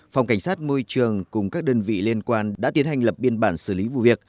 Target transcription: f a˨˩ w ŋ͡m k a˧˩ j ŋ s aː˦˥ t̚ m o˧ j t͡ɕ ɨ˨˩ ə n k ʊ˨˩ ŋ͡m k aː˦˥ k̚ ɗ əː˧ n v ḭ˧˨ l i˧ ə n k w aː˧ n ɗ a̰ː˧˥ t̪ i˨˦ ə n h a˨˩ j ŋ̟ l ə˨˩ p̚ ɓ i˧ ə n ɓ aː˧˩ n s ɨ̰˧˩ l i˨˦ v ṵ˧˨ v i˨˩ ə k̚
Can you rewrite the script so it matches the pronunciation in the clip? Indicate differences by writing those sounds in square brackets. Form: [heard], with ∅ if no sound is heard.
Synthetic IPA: f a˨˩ w ŋ͡m k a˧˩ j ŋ s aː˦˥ t̚ m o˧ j t͡ɕ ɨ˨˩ ə [ŋ] k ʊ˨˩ ŋ͡m k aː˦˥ k̚ ɗ əː˧ n v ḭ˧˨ l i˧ ə n k w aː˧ n ɗ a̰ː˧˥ t̪ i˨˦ ə n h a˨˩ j ŋ̟ l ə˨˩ p̚ ɓ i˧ ə n ɓ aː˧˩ n s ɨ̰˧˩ l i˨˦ v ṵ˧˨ v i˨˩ ə k̚